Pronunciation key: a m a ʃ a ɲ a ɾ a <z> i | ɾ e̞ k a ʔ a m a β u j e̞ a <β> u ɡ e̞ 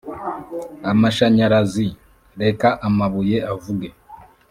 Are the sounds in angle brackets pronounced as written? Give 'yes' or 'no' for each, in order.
yes, no

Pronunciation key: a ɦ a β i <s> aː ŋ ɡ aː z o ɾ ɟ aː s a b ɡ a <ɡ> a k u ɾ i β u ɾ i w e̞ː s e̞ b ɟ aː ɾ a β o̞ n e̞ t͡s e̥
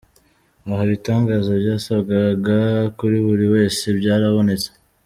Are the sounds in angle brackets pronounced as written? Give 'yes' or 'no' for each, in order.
no, yes

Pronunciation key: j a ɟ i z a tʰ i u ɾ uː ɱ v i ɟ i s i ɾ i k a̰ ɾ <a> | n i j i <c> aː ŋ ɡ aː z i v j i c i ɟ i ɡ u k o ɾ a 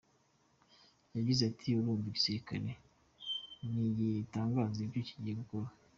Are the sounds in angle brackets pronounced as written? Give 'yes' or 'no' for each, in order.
no, no

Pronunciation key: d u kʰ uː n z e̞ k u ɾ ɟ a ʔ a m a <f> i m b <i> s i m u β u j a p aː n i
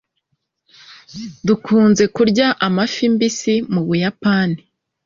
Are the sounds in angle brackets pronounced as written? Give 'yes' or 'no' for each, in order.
yes, yes

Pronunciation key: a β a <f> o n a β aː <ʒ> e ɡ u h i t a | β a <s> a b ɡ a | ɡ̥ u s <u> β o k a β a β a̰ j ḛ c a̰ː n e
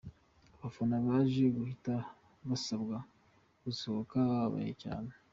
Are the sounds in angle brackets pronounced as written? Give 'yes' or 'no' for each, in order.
yes, yes, yes, no

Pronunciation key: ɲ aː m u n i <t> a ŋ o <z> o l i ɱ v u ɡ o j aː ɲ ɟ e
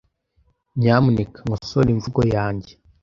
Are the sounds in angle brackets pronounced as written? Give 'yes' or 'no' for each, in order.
no, no

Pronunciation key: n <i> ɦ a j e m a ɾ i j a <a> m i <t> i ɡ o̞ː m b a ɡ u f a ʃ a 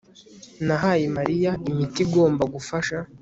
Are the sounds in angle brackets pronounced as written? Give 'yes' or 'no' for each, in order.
no, no, yes

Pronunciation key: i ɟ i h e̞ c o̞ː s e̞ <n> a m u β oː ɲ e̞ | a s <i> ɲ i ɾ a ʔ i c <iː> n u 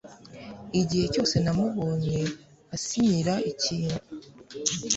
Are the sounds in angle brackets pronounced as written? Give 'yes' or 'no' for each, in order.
yes, yes, yes

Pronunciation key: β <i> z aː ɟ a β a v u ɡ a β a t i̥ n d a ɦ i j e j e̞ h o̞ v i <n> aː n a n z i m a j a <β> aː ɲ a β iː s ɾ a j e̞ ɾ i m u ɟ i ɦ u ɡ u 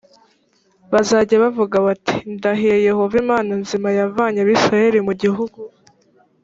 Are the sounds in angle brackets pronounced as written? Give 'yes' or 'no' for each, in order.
no, no, no

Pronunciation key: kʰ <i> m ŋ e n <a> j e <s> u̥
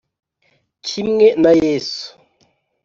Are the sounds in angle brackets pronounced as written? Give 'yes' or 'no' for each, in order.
yes, yes, yes

